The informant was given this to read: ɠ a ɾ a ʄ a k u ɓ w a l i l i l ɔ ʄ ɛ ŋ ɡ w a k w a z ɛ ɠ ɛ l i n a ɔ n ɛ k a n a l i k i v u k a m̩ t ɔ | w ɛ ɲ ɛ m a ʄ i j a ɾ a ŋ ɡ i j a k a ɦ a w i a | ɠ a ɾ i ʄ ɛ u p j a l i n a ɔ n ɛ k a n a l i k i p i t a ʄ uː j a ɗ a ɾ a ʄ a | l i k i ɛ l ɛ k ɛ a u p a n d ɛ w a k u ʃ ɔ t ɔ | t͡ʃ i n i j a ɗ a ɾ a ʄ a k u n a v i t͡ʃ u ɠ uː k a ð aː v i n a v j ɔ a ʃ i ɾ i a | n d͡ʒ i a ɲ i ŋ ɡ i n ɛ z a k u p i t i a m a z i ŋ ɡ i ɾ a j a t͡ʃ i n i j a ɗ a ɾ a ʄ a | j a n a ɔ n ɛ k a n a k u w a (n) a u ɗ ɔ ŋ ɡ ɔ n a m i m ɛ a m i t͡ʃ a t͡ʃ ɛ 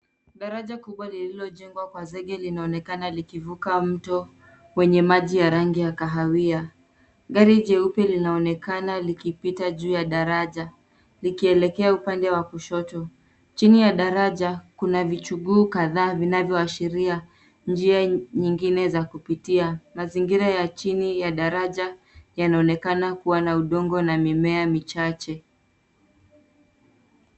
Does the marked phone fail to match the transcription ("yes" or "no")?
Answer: no